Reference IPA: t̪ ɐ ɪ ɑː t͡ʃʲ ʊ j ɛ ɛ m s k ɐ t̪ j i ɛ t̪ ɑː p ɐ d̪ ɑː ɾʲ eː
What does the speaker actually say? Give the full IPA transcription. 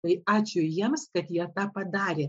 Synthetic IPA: t̪ ɐ ɪ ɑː t͡ʃʲ ʊ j i ɛ m s k ɐ t̪ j i ɛ t̪ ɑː p ɐ d̪ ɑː ɾʲ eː